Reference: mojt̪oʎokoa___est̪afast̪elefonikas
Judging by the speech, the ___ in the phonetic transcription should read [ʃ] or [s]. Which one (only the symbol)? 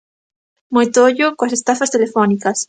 s